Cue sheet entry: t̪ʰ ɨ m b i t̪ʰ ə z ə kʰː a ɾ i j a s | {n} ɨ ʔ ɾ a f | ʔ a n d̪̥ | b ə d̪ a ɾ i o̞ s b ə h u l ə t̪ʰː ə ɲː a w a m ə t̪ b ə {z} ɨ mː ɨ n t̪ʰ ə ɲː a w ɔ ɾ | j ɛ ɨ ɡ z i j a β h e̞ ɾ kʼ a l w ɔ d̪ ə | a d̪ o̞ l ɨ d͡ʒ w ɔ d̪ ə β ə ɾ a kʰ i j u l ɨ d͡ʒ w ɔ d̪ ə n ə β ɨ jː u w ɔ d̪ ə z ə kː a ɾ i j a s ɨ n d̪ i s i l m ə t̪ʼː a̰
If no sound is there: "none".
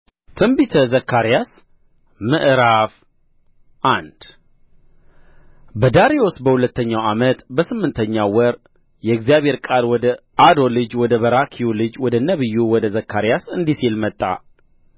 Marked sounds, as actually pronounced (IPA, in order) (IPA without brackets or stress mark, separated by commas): m, s